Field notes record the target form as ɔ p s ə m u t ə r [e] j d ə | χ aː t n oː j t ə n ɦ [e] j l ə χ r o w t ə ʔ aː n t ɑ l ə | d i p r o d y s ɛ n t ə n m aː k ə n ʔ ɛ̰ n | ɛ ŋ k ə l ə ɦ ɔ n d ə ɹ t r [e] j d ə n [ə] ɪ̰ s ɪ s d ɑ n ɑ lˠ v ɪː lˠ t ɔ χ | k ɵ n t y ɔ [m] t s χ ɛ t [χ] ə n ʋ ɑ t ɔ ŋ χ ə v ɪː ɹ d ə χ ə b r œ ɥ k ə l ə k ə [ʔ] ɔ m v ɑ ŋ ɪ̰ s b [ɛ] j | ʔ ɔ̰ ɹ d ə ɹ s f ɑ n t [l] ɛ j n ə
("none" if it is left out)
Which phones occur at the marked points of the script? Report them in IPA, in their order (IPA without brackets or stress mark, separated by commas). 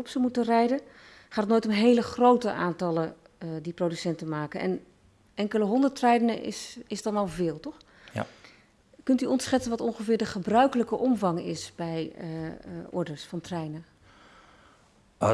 ɛ, e, ɛ, ə, n, s, ʔ, ɛ, r